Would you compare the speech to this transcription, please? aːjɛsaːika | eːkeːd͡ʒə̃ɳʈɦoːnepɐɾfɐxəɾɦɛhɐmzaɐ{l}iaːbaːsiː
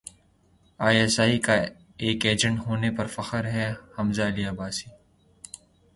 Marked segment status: correct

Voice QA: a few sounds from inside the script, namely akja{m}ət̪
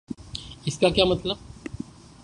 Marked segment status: correct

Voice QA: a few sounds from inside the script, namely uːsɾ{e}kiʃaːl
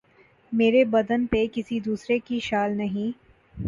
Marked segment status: correct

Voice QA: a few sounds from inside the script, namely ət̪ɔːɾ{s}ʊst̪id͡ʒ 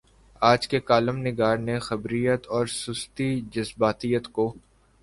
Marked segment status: correct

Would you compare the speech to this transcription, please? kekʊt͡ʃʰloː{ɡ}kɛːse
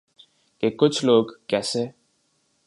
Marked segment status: correct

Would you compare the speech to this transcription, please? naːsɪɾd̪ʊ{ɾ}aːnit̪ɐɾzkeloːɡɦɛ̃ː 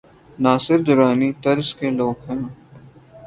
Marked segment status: correct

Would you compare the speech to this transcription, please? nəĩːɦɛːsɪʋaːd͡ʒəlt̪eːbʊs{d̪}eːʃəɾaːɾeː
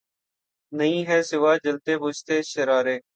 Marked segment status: incorrect: t̪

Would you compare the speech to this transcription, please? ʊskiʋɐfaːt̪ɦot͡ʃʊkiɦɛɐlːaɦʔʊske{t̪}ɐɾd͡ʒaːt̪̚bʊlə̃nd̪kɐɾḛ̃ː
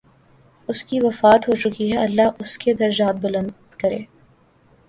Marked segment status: incorrect: d̪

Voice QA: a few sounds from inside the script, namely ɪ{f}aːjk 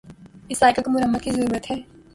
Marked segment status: incorrect: s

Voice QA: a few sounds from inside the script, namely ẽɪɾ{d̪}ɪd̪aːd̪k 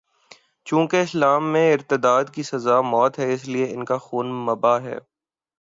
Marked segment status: incorrect: t̪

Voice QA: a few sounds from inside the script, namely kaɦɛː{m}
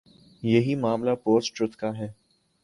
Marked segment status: incorrect: none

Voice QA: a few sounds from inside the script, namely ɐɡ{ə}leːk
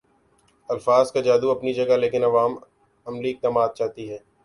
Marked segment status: incorrect: a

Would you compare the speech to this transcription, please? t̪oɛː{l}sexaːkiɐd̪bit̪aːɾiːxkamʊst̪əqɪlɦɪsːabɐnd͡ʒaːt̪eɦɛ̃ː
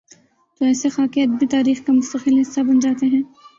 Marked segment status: incorrect: none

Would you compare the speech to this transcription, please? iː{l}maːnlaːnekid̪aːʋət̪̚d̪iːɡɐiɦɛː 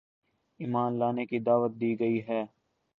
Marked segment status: incorrect: none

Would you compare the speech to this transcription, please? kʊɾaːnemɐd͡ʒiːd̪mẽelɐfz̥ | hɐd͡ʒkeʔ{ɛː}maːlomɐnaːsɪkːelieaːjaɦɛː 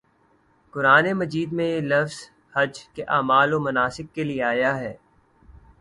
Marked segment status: incorrect: aː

